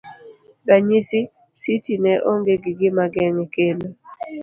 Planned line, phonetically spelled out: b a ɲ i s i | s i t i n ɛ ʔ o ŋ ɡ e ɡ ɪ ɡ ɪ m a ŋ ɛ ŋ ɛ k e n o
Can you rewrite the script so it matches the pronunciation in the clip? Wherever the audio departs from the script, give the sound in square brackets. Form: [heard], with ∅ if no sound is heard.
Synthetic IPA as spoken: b a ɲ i s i | s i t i n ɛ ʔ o ŋ ɡ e ɡ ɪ ɡ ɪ m a [ɡ] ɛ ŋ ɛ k e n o